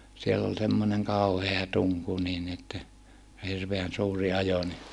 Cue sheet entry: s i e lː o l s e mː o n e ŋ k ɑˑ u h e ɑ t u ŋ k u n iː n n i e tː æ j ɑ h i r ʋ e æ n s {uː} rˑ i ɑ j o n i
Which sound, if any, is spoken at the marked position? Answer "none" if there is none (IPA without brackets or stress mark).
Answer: uː